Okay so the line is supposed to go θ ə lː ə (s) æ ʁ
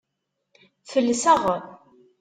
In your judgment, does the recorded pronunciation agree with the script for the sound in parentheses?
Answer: yes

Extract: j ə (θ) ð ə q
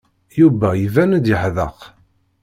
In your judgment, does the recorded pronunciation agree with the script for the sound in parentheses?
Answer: no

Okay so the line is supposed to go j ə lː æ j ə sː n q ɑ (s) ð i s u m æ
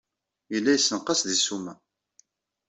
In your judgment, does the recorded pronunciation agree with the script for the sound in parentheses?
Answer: yes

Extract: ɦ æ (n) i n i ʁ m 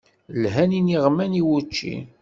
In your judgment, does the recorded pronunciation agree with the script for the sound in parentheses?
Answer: yes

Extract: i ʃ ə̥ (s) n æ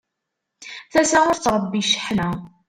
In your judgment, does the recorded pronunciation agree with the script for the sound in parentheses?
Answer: no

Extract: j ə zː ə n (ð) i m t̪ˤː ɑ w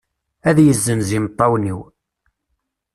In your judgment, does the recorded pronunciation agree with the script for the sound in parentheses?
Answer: no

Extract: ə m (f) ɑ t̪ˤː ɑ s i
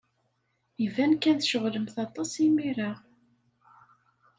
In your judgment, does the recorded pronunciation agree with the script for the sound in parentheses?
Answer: no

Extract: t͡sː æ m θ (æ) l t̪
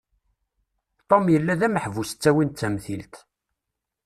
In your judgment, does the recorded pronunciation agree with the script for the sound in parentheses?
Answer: no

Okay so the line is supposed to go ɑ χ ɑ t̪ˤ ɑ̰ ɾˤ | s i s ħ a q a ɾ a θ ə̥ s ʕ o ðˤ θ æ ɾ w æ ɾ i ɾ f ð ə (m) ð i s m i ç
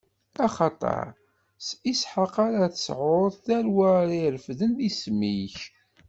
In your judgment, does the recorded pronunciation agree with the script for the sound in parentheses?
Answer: no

